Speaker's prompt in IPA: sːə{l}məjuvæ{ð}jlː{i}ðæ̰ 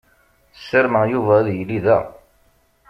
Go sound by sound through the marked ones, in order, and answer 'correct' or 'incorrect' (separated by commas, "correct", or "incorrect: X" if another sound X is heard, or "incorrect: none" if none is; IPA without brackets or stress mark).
incorrect: ɾ, correct, correct